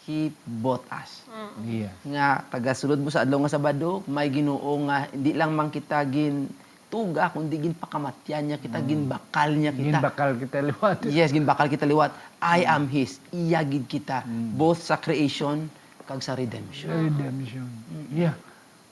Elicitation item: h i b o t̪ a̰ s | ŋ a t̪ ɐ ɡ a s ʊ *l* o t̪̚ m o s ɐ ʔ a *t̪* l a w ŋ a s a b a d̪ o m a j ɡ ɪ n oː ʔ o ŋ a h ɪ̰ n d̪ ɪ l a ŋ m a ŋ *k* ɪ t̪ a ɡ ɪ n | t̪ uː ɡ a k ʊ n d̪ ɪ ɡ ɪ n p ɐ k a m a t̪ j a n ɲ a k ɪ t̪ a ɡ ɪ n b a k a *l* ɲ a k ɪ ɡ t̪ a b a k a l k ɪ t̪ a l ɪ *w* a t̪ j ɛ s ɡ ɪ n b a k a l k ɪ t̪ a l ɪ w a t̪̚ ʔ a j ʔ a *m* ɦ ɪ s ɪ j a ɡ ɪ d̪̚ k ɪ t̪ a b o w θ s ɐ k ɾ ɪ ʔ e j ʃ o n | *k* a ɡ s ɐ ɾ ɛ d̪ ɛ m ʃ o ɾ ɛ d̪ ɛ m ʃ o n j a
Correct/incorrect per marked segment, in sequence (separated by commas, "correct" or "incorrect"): correct, incorrect, correct, correct, correct, correct, correct